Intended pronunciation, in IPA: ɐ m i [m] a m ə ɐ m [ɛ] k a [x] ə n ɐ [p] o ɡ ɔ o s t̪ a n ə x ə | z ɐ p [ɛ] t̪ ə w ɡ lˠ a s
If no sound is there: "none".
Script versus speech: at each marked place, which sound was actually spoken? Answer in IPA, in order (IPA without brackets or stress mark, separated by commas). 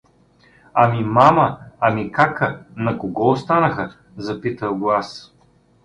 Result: m, i, k, k, i